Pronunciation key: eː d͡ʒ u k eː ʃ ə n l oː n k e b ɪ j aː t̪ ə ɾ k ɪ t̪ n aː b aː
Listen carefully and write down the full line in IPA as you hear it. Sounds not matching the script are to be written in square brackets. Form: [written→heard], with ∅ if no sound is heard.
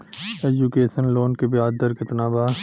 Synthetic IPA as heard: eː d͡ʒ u k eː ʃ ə n l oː n k e b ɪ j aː [t̪→d̪] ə ɾ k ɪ t̪ n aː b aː